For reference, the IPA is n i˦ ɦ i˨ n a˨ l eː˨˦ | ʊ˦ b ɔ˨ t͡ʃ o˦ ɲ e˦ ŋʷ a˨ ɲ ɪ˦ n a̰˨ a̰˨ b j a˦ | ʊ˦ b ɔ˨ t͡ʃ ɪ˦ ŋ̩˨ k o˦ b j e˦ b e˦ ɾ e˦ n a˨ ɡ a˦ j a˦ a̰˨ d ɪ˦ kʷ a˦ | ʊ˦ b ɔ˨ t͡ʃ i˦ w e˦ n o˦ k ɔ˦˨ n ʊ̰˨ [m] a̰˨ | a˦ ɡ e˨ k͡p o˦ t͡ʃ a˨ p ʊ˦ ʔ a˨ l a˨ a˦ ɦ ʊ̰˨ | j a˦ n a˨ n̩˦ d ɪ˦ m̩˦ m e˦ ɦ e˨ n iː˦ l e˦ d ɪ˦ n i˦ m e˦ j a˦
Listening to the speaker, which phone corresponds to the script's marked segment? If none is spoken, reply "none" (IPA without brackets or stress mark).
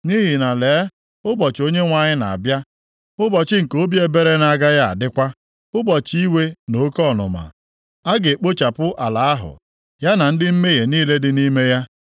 m